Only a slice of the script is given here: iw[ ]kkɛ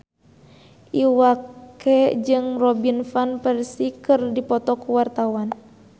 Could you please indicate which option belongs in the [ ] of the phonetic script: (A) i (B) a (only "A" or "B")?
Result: B